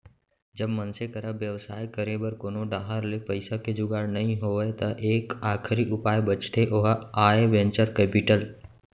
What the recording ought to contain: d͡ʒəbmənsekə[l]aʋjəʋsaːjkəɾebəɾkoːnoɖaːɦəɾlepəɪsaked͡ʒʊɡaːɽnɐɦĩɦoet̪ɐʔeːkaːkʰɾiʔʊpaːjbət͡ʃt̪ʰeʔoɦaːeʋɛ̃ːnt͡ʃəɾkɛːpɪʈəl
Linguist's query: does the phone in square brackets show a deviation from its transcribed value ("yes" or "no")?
yes